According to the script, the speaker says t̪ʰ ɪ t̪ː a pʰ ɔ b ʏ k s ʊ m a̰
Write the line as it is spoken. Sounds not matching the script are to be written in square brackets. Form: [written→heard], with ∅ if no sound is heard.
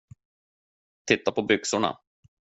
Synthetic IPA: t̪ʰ ɪ t̪ː a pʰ ɔ b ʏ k s ʊ [m→ɳ] a̰